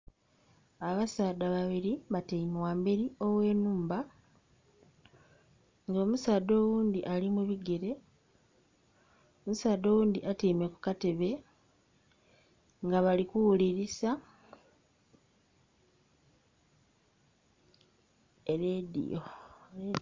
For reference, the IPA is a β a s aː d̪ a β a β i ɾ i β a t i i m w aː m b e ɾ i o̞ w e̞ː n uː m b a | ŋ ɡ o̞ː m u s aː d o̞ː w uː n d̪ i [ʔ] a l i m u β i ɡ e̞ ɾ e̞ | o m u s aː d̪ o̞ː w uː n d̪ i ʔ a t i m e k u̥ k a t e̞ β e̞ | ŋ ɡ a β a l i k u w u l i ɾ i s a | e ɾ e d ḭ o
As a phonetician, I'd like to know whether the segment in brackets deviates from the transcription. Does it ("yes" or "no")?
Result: no